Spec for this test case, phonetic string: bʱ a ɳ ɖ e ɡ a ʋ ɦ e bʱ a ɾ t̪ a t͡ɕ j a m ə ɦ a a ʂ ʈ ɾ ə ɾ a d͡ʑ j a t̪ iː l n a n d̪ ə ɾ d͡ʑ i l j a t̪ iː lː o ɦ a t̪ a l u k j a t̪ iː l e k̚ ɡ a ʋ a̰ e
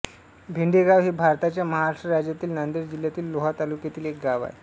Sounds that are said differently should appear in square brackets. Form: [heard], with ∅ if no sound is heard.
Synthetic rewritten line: bʱ [i] ɳ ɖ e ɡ a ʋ ɦ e bʱ a ɾ t̪ a t͡ɕ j a m ə ɦ a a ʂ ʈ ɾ ə ɾ a d͡ʑ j a t̪ iː l n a n d̪ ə ɾ d͡ʑ i l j a t̪ iː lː o ɦ a t̪ a l u k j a t̪ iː l e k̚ ɡ a ʋ a̰ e